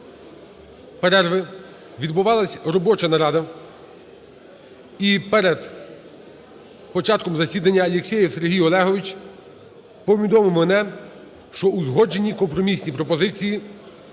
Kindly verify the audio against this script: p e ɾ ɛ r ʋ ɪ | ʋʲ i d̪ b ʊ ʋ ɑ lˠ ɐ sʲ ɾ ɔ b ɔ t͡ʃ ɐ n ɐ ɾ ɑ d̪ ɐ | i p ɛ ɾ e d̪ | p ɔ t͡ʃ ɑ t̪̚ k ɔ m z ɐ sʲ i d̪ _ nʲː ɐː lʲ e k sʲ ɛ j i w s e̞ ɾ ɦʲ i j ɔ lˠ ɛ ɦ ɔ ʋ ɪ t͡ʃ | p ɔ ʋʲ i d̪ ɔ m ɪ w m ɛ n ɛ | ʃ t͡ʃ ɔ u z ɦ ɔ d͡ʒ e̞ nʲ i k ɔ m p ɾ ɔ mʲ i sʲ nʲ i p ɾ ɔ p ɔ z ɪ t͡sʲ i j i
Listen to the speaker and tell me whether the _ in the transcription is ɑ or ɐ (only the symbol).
ɐ